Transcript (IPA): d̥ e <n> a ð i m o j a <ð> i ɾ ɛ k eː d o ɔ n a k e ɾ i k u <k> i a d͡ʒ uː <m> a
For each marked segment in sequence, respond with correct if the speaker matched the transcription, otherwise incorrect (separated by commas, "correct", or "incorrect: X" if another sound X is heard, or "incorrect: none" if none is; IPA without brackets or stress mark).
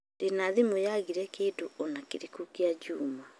correct, incorrect: ɣ, correct, correct